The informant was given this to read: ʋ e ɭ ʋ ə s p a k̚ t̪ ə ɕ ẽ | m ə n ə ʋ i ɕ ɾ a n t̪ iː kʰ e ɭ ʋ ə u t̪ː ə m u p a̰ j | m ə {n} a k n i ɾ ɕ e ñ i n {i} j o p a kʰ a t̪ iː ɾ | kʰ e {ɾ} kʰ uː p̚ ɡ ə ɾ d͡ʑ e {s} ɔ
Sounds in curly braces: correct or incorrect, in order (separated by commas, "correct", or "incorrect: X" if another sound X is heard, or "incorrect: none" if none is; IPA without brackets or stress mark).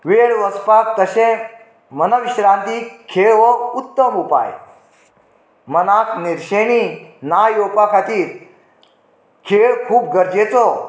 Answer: correct, incorrect: a, incorrect: ɭ, incorrect: t͡s